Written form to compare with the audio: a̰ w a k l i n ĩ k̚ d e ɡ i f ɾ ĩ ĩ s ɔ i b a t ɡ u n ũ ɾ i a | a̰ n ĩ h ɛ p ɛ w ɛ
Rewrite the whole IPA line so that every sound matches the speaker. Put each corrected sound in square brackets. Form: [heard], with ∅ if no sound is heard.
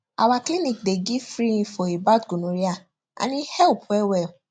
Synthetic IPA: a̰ w a k l i n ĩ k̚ d e ɡ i f ɾ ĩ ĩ [f] ɔ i b a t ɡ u n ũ ɾ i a | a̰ n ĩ h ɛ p ɛ w ɛ